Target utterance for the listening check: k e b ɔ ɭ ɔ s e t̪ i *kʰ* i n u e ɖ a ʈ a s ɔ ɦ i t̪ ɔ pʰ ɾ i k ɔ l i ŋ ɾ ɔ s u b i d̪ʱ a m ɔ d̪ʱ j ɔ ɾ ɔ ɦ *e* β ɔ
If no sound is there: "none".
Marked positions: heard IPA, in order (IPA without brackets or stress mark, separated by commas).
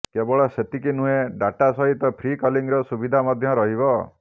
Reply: k, i